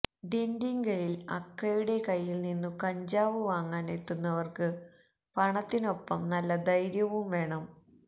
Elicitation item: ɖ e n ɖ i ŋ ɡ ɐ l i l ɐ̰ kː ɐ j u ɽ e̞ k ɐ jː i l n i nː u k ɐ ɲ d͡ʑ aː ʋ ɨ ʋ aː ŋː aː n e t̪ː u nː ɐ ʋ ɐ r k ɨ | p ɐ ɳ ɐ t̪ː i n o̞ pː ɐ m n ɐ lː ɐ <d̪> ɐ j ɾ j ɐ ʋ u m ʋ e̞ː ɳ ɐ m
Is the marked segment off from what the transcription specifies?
no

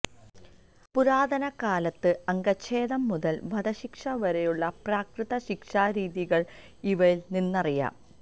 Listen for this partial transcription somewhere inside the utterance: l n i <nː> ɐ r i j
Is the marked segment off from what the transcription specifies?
no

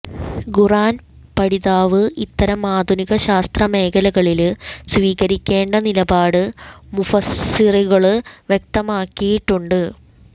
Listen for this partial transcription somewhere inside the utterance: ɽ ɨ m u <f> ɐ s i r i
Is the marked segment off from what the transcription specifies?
no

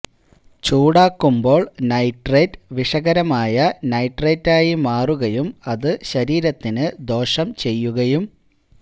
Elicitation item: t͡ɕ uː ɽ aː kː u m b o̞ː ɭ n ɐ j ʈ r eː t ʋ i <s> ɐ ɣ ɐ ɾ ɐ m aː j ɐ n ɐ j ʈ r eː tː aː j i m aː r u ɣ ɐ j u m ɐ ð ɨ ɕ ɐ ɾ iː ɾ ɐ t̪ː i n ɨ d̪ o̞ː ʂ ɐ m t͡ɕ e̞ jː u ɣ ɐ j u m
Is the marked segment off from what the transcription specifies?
yes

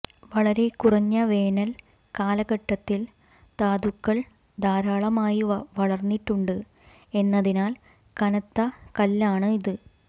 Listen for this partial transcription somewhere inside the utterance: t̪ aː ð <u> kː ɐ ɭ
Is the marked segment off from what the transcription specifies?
no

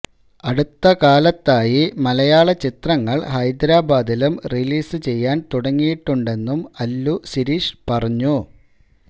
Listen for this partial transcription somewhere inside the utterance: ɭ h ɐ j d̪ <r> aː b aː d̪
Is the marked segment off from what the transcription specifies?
yes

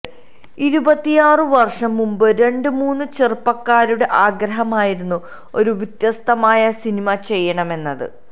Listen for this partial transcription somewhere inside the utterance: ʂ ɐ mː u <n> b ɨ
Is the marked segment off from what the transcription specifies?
yes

